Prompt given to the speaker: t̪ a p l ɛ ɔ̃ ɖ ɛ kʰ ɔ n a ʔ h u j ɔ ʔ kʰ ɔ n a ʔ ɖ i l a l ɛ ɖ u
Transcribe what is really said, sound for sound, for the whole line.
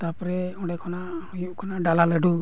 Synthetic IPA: t̪ a p ɾ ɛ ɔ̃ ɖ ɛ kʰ ɔ n a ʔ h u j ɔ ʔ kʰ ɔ n a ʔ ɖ a l a l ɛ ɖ u